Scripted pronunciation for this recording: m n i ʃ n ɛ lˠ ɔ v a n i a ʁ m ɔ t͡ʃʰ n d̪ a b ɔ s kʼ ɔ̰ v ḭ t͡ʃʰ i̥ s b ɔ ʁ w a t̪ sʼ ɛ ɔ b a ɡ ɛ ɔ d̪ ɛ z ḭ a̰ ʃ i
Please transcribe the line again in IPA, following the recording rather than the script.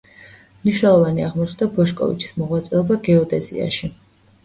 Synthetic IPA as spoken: m n i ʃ n ɛ lˠ ɔ v a n i a ʁ m ɔ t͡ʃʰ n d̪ a b ɔ ʃ kʼ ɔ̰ v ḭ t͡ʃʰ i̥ s m ɔ ʁ w a t̪ sʼ ɛ ɔ b a ɡ ɛ ɔ d̪ ɛ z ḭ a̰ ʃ i